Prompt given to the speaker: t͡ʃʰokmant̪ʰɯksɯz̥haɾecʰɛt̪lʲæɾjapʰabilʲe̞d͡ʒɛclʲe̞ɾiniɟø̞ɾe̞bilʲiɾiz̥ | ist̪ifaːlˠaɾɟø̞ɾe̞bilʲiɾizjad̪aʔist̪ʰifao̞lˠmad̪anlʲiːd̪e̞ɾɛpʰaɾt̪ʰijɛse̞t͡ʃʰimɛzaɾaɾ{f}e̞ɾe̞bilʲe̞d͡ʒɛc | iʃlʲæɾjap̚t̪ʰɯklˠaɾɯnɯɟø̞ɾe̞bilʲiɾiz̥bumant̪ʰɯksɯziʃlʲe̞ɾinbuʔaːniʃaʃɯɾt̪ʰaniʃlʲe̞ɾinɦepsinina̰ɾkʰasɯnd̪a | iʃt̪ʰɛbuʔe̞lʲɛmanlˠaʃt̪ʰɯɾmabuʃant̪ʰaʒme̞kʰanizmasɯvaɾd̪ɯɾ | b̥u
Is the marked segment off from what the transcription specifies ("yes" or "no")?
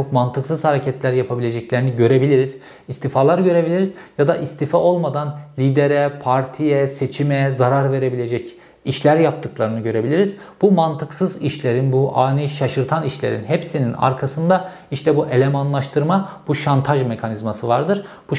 yes